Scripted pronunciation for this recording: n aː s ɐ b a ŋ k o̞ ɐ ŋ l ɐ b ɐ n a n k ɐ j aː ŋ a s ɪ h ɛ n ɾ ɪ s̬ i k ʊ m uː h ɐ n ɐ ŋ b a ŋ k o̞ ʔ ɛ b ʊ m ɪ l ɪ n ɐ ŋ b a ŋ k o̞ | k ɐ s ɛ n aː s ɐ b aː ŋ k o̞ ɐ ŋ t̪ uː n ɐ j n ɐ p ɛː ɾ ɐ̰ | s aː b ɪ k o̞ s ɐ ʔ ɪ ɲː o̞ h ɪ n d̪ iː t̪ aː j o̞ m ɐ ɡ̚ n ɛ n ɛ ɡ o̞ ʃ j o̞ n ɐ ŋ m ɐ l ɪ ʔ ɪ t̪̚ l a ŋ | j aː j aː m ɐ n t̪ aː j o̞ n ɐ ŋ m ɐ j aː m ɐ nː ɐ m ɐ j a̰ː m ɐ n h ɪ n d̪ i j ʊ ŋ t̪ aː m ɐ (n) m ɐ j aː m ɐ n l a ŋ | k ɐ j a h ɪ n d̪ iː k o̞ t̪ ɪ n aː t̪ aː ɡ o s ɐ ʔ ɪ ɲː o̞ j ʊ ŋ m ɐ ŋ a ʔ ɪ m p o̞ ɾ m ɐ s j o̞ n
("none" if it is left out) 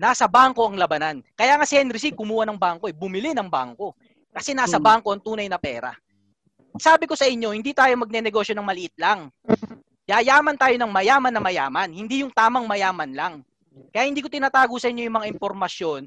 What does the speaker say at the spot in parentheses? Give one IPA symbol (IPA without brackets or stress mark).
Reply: ŋ